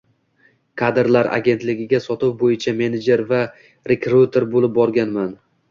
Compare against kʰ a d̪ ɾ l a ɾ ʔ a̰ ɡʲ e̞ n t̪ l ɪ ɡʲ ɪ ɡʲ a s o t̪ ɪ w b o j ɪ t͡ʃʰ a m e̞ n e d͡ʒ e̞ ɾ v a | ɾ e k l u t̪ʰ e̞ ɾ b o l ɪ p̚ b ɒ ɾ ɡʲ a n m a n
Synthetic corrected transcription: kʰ a d̪ ɾ l a ɾ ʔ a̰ ɡʲ e̞ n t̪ l ɪ ɡʲ ɪ ɡʲ a s ɒ t̪ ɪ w b o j ɪ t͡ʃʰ a m e̞ n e d͡ʒ e̞ ɾ v a | ɾ e k ɾ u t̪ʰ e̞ ɾ b o l ɪ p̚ b ɒ ɾ ɡʲ a n m a n